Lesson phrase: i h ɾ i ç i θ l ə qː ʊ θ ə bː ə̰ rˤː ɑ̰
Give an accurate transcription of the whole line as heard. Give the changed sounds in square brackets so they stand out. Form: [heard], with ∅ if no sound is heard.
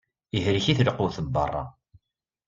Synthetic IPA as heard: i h ɾ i ç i θ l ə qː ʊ θ ə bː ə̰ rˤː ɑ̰